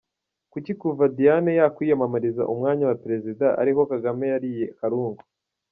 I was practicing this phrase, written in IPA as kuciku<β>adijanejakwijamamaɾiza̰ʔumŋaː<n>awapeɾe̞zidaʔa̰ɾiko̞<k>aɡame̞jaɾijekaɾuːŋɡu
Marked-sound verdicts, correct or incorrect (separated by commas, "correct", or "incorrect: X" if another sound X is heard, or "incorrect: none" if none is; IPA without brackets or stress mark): incorrect: v, incorrect: ɲ, correct